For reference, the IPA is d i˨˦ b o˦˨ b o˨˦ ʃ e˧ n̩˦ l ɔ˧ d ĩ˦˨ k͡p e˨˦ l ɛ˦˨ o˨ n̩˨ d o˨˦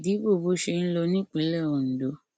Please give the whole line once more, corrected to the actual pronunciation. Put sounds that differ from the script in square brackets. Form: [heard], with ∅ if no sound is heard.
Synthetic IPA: d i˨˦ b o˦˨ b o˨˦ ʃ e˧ n̩˦ l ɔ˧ [n] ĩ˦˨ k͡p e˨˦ l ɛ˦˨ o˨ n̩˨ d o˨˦